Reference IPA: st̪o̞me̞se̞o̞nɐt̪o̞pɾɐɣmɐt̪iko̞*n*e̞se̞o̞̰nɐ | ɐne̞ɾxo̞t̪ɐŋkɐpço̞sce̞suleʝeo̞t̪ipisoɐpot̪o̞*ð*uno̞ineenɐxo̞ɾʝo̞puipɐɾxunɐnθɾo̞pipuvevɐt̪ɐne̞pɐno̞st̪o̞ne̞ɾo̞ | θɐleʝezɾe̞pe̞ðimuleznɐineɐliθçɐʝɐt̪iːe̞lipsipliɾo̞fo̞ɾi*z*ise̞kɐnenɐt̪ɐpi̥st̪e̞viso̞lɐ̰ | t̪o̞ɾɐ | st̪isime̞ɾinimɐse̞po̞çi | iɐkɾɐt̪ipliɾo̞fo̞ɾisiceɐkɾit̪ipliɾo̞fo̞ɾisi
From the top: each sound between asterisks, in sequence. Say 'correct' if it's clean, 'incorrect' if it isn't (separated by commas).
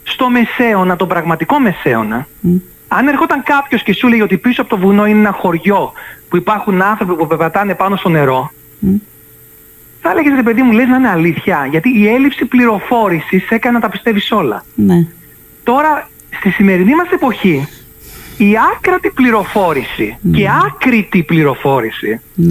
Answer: incorrect, incorrect, incorrect